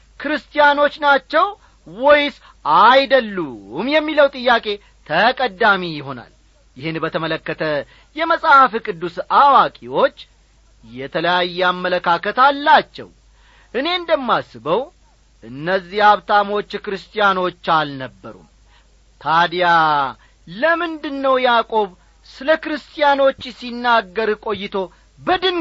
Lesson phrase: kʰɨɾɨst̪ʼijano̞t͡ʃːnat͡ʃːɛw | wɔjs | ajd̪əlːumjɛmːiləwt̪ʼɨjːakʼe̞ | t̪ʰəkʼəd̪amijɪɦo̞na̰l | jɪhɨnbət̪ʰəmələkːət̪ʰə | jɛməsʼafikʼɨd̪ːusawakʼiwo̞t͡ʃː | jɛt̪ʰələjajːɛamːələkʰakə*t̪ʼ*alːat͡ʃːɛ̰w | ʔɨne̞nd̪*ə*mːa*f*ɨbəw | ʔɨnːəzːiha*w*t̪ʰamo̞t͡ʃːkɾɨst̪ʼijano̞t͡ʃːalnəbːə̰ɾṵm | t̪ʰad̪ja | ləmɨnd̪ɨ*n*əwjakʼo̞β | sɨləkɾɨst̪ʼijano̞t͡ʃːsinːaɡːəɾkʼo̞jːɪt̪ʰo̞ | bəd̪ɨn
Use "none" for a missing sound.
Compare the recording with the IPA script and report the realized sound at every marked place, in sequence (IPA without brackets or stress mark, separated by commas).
t̪, ə, s, β, nː